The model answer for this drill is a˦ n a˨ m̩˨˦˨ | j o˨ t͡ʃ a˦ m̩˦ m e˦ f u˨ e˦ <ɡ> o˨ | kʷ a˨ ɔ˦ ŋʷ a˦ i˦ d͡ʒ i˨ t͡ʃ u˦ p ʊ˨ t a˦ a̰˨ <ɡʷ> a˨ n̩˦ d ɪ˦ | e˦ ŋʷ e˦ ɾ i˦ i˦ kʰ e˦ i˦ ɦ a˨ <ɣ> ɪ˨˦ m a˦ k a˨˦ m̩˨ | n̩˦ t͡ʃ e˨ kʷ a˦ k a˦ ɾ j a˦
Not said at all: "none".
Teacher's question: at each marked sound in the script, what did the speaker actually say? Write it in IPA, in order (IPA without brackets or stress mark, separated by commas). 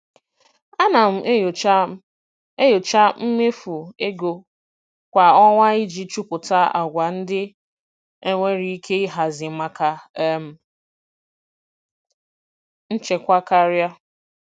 ɡ, ɡʷ, z